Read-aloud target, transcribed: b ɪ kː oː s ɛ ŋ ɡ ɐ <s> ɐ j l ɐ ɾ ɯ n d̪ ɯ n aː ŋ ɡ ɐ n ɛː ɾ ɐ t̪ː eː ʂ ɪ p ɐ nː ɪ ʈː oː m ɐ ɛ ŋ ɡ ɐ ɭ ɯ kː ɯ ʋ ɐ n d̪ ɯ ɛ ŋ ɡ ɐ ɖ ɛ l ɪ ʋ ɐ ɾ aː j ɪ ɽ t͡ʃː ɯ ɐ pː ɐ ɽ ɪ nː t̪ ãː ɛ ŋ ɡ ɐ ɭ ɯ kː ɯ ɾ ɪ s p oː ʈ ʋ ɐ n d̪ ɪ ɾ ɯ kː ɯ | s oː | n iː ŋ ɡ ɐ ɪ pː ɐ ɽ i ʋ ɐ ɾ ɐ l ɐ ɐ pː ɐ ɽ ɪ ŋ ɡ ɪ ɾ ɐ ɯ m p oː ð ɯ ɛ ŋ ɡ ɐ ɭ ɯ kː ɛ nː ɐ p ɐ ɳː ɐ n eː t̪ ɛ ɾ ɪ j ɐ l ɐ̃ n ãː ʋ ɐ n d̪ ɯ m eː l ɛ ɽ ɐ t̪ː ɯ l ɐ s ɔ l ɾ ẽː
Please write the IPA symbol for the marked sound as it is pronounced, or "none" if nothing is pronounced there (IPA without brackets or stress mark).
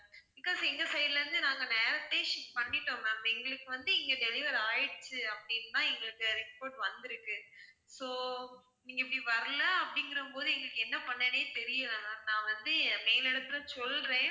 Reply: s